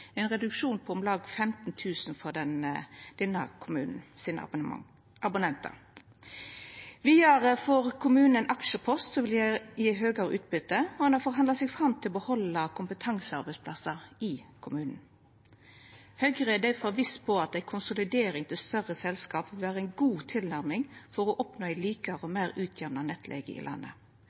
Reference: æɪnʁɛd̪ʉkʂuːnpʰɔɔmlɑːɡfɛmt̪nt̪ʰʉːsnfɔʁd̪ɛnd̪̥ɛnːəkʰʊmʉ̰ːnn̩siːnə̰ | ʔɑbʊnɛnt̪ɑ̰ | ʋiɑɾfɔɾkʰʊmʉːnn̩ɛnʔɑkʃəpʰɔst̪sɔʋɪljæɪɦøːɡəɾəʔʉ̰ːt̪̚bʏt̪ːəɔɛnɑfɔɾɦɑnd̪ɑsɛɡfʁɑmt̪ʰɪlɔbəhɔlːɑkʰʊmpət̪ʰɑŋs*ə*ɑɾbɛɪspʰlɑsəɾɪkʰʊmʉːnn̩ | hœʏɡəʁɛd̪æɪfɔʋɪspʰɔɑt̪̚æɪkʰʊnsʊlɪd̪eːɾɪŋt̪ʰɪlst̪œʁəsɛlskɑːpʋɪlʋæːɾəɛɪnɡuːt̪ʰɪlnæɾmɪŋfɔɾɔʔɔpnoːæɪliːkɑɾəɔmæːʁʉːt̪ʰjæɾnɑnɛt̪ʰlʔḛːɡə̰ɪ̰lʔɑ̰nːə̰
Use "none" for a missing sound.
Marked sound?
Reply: ə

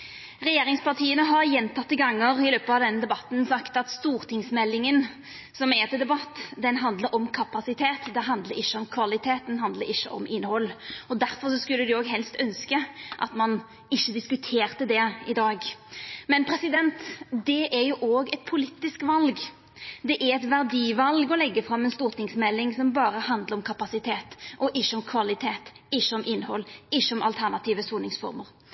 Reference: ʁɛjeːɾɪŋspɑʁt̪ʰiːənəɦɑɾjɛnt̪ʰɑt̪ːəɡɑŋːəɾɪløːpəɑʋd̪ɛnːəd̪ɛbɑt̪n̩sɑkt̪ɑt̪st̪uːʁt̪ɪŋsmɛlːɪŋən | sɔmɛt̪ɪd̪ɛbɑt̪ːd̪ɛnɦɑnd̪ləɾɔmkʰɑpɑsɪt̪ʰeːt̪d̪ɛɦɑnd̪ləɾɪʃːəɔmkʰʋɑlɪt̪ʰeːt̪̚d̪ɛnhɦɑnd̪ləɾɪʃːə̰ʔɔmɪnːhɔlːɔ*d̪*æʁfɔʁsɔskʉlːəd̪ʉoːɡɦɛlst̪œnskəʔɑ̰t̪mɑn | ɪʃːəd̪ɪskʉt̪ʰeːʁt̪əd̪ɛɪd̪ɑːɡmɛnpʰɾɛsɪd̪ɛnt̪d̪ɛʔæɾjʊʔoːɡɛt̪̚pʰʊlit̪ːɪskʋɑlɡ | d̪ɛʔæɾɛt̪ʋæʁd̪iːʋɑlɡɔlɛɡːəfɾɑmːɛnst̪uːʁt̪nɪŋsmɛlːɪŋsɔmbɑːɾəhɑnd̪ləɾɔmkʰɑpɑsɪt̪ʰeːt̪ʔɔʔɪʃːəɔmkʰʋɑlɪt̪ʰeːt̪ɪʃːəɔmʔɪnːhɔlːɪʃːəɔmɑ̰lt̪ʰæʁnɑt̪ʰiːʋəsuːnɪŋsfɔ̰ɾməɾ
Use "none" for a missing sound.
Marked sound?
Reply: d̪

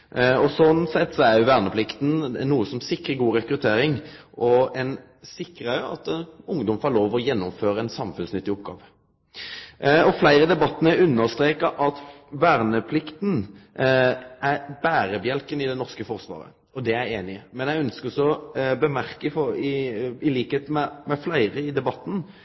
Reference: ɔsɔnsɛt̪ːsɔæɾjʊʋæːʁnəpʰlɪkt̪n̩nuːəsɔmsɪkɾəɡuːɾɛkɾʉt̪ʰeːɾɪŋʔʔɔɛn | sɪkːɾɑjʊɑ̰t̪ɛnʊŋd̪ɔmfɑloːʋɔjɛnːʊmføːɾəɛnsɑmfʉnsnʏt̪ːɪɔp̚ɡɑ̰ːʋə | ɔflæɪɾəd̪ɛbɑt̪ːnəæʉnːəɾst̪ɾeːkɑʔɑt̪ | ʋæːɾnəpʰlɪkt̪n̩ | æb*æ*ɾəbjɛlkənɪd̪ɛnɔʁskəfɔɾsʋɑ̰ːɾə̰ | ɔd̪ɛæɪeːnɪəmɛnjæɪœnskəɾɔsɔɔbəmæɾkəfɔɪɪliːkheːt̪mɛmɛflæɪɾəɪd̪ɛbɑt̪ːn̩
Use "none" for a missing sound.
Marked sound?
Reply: æː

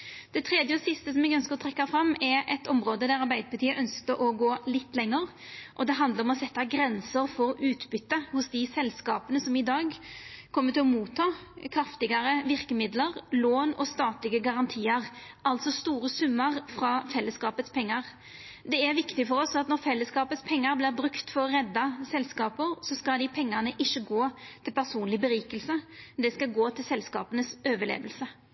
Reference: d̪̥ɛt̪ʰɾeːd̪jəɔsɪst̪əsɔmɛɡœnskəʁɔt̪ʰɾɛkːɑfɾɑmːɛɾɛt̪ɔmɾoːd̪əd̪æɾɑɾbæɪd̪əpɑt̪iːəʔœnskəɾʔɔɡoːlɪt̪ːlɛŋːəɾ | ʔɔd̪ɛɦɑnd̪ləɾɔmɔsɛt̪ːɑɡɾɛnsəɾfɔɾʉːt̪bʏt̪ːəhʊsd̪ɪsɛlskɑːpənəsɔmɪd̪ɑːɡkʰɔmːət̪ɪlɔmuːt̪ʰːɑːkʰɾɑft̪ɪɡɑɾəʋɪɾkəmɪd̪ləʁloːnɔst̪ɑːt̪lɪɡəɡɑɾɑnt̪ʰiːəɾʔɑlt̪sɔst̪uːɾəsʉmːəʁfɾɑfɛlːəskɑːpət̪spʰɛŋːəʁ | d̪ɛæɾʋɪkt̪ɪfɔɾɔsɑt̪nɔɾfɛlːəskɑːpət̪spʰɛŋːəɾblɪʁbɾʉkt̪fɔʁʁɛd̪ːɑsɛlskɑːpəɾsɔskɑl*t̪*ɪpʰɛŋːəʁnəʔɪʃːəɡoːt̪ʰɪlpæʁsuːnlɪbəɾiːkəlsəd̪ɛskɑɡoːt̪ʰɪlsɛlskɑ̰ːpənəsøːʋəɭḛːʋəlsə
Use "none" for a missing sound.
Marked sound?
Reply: d̪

